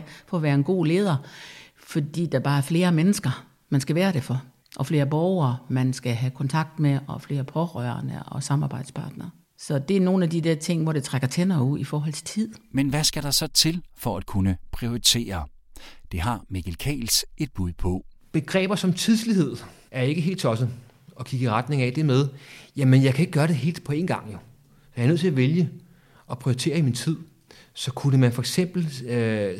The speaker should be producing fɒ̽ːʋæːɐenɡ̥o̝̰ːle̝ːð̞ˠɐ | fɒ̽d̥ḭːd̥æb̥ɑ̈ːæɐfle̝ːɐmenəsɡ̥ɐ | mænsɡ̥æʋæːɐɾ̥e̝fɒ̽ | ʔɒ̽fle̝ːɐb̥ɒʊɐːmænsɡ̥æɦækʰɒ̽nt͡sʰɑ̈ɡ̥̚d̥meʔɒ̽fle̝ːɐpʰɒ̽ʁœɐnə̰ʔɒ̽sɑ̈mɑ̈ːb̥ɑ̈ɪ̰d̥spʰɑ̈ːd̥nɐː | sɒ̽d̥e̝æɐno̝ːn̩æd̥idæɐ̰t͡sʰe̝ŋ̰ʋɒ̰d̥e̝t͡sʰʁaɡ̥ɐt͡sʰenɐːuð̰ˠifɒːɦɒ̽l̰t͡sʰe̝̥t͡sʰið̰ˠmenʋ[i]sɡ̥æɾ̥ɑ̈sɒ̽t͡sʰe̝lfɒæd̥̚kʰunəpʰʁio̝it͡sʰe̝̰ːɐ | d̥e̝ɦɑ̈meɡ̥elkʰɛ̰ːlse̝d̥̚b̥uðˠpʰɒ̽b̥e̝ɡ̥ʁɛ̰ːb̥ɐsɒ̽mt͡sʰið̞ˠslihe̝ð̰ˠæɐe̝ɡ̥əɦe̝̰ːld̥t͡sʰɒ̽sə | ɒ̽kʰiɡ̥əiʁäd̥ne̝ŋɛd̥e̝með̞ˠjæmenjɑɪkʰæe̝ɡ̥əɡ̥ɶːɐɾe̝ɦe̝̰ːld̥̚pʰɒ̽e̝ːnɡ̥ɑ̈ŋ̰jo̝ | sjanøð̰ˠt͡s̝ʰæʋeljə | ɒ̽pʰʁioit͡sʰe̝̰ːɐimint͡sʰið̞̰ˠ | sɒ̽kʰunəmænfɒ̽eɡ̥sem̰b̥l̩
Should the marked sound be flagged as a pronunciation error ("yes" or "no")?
yes